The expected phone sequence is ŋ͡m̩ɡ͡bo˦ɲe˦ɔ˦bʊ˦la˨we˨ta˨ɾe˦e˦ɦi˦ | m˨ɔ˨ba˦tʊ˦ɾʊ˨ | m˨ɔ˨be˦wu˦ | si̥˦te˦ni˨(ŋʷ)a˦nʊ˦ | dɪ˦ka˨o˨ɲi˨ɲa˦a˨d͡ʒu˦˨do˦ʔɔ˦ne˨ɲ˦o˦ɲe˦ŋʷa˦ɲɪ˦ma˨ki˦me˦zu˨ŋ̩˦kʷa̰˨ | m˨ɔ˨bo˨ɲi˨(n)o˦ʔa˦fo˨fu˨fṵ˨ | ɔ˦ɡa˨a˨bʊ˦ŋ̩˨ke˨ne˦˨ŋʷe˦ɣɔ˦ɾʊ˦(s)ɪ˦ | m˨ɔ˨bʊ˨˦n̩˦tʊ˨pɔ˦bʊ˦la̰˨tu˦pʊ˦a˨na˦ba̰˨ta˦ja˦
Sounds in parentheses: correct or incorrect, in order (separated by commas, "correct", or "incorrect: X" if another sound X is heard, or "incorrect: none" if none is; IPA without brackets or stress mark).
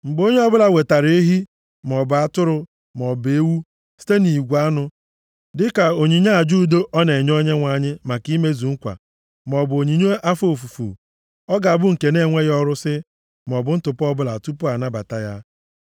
incorrect: ɡʷ, incorrect: ɲ, correct